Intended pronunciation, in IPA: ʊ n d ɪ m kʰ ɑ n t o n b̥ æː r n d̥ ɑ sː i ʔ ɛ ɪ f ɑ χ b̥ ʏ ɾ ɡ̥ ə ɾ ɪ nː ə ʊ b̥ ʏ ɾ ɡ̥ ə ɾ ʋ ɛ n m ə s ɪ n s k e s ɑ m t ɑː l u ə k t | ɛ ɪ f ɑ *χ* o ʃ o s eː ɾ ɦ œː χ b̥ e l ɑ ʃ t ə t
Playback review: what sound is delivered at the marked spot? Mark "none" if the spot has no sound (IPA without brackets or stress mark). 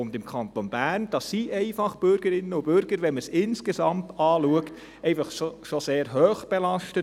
χ